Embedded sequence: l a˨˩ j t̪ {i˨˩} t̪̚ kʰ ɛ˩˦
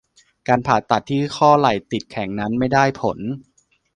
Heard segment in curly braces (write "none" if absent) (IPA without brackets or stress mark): i˨˩